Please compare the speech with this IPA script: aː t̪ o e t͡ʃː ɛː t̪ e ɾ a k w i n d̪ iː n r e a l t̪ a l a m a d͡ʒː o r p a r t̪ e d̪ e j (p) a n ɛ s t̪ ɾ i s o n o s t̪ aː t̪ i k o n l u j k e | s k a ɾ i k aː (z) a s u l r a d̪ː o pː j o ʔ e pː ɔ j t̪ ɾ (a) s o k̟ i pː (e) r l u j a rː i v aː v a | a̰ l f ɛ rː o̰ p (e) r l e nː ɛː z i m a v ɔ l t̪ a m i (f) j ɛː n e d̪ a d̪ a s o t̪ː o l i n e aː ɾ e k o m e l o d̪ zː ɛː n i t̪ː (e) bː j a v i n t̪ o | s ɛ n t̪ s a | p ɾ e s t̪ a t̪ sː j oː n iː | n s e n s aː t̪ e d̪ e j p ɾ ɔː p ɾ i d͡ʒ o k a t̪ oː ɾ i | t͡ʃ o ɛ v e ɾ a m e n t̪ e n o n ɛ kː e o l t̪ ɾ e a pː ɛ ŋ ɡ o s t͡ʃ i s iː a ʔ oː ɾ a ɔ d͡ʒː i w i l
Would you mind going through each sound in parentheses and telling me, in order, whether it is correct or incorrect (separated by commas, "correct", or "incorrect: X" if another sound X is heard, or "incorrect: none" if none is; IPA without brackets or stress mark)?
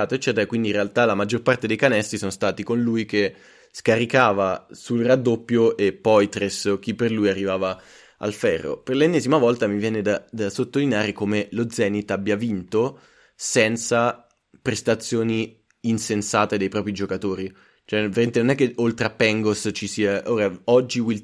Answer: incorrect: k, incorrect: v, incorrect: e, correct, correct, incorrect: v, incorrect: a